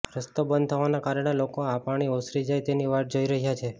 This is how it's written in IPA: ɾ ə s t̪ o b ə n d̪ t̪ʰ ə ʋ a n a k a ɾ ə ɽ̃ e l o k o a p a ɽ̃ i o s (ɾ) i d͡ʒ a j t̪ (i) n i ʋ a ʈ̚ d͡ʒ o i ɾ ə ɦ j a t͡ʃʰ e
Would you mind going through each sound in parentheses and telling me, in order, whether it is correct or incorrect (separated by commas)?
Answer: correct, incorrect